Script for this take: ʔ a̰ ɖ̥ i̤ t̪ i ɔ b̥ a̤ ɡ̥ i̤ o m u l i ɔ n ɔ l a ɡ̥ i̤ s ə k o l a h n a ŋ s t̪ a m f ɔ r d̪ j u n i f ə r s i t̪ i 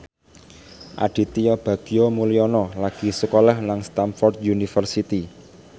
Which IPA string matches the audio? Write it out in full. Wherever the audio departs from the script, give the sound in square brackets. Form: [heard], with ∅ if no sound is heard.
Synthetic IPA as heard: ʔ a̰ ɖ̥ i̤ t̪ i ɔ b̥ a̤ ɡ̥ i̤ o m u l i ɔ n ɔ l a ɡ̥ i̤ s ə k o l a h n a ŋ s t̪ a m f ɔ r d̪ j u n i f ə r s i t̪ i